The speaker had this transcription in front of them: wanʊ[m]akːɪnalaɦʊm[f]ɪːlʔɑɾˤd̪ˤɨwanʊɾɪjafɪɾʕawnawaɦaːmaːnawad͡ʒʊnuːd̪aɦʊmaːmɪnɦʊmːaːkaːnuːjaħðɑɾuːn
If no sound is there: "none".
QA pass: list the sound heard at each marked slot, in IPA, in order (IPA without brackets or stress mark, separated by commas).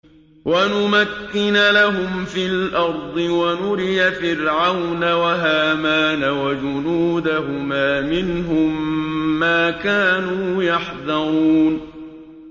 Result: m, f